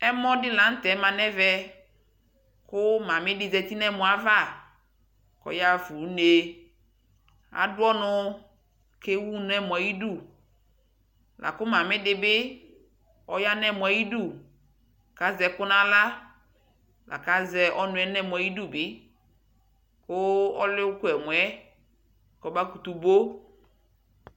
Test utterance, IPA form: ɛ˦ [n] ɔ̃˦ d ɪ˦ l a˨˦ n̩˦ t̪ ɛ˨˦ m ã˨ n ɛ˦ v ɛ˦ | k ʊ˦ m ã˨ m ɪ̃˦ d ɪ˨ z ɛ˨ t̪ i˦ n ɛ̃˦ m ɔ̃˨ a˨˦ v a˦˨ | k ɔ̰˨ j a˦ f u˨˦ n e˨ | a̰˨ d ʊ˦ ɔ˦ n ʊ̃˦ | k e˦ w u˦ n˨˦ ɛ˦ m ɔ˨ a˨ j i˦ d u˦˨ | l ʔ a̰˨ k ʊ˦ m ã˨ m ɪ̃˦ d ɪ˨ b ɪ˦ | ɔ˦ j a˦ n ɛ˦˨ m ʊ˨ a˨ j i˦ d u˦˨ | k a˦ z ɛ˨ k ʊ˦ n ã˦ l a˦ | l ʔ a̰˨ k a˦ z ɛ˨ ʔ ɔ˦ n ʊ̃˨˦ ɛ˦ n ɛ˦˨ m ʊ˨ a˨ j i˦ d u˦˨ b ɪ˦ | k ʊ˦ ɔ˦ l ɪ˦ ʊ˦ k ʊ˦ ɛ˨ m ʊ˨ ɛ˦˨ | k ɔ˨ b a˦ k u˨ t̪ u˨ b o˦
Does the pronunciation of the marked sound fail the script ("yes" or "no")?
yes